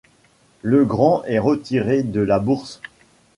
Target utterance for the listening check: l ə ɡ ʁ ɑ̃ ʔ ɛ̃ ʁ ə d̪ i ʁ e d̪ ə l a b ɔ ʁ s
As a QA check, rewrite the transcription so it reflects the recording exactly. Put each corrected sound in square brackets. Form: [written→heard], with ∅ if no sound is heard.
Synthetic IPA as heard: l ə ɡ ʁ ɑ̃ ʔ [ɛ̃→ɛ] ʁ ə [d̪→t̪] i ʁ e d̪ ə l a b [ɔ→u] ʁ s